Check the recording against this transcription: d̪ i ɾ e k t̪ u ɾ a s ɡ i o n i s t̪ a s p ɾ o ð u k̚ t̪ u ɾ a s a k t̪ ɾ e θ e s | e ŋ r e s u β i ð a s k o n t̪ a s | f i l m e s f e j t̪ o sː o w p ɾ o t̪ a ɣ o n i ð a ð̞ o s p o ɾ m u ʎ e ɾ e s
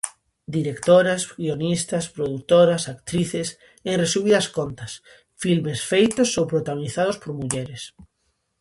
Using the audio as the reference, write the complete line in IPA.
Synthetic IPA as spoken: d̪ i ɾ e k t̪ o ɾ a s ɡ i o n i s t̪ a s p ɾ o ð u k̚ t̪ o ɾ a s a k t̪ ɾ i θ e s | e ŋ r e s u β i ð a s k o n t̪ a s | f i l m e s f e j t̪ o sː o w p ɾ o t̪ a ɣ o n i θ a ð̞ o s p o ɾ m u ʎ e ɾ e s